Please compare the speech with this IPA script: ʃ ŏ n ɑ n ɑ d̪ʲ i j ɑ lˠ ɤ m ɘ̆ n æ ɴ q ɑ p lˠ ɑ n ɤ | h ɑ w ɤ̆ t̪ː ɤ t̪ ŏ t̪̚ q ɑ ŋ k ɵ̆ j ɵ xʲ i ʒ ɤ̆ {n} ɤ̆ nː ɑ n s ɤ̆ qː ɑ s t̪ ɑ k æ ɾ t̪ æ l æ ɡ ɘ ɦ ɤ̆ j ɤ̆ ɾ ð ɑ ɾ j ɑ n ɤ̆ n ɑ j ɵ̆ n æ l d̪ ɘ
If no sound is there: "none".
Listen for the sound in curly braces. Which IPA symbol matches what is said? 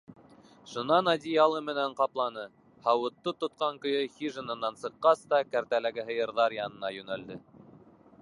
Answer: n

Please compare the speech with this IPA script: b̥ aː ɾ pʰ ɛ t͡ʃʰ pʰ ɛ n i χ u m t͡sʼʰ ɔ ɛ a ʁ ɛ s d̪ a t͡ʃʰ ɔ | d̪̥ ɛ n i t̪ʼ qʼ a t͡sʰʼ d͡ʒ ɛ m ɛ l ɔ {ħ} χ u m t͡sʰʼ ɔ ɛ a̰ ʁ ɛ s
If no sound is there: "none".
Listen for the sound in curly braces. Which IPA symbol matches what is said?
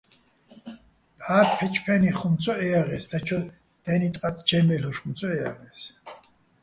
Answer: ʃ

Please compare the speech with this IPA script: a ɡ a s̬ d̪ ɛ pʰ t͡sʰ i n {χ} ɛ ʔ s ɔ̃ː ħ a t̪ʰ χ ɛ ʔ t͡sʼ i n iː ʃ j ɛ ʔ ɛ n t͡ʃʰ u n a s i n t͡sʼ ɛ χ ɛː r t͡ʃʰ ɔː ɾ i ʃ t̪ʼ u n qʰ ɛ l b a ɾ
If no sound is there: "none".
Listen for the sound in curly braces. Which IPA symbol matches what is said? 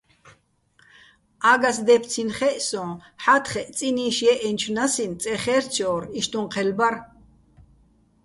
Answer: χ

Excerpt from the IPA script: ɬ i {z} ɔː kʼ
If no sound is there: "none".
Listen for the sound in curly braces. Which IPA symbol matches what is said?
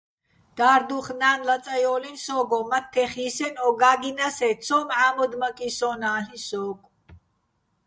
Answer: s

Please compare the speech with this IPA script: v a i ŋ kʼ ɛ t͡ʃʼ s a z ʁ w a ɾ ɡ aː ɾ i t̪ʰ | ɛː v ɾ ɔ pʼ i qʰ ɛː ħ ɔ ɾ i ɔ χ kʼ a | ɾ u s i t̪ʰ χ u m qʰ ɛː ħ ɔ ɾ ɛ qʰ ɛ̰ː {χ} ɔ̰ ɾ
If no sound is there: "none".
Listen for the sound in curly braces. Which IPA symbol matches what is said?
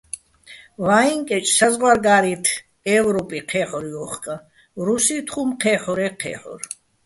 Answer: ħ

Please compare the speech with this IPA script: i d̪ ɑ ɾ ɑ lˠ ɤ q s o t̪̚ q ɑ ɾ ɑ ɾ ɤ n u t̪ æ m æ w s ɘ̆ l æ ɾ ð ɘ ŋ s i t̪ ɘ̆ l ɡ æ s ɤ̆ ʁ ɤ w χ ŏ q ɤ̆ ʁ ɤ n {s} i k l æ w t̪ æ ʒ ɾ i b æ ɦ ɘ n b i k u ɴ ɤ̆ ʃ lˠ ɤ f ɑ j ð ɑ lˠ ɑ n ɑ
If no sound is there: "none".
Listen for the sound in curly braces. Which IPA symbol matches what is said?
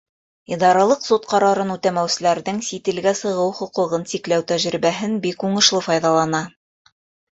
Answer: s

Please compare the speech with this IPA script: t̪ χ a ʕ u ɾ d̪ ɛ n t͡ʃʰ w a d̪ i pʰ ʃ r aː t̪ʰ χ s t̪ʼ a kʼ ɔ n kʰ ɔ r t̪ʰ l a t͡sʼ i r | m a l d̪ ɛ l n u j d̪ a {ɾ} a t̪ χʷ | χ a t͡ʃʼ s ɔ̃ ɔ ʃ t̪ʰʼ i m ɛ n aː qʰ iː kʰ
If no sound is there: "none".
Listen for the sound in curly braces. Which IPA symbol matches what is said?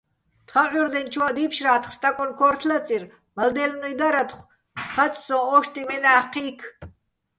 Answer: ɾ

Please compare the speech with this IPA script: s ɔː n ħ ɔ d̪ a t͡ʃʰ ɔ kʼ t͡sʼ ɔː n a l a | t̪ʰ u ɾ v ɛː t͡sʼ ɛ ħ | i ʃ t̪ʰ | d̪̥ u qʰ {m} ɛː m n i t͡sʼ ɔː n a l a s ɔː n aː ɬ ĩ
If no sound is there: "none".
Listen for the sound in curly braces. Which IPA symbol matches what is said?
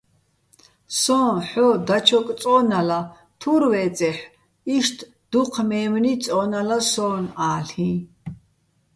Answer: m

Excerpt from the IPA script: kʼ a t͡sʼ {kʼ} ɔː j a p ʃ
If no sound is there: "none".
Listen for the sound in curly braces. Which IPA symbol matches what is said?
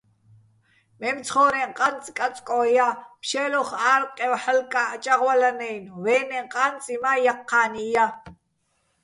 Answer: kʼ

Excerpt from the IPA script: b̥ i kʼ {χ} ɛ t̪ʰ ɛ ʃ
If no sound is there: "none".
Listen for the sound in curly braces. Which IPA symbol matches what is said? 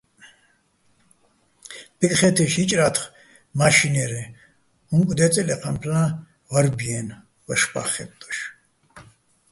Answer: χ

